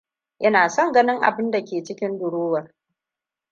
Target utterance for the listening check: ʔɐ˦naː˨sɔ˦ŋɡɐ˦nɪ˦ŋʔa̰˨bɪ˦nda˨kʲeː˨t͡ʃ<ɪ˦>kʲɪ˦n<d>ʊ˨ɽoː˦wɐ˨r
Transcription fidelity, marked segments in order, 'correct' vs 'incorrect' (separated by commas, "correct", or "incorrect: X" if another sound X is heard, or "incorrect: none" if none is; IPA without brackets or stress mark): correct, correct